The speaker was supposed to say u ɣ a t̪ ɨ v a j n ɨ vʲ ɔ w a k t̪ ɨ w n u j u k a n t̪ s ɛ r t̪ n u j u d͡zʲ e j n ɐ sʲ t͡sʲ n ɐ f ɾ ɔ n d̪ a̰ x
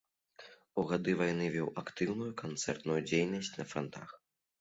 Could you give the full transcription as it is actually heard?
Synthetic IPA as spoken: u ɣ a d̪ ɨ v a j n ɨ vʲ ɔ w a k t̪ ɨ w n u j u k a n t̪ s ɛ r t̪ n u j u d͡zʲ e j n ɐ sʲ t͡sʲ n ɐ f ɾ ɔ n t̪ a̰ x